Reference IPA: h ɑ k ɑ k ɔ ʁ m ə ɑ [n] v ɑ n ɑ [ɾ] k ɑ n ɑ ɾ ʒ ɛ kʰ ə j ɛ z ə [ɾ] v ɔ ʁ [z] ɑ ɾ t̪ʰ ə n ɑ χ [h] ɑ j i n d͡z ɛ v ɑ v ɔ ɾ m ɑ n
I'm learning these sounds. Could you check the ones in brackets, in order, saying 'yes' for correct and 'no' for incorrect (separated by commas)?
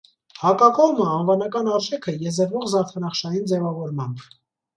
yes, no, yes, yes, no